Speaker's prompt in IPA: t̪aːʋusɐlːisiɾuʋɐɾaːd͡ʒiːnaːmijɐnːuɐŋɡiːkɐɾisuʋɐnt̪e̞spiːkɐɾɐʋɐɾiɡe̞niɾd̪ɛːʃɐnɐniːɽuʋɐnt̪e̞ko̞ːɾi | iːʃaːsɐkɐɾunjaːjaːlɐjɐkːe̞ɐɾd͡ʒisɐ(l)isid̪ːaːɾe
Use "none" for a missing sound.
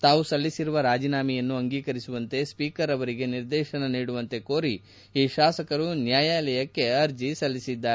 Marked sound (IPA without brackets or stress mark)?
lː